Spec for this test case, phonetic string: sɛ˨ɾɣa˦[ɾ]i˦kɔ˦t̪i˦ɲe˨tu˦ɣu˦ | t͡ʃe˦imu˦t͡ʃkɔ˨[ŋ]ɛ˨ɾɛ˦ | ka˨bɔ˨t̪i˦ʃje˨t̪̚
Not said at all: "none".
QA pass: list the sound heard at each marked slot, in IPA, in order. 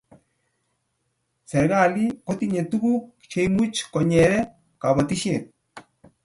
l, ɲ

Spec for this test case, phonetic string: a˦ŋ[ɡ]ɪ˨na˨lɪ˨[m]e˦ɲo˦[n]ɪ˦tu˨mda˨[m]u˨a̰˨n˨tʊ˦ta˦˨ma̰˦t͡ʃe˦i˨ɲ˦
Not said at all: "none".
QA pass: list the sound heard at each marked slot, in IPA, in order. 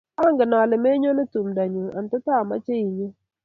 ɡ, m, n, ɲ

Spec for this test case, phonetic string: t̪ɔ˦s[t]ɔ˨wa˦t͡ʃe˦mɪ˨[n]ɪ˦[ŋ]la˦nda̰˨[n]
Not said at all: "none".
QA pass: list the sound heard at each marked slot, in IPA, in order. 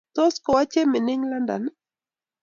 k, n, ŋ, n

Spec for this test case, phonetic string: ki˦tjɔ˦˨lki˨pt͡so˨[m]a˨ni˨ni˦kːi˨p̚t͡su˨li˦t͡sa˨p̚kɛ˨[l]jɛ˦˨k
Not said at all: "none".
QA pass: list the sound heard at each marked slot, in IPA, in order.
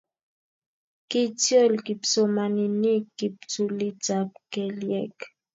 m, l

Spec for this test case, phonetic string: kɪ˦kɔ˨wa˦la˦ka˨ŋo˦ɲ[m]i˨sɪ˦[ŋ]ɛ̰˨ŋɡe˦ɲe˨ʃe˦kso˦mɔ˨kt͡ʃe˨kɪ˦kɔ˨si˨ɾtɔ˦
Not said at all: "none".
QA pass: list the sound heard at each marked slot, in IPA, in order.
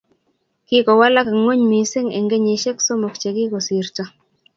m, ŋ

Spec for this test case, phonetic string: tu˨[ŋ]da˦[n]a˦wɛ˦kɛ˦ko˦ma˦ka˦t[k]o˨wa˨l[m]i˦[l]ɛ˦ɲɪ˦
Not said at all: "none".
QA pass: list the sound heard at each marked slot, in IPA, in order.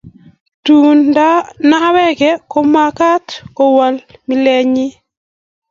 n, n, k, m, l

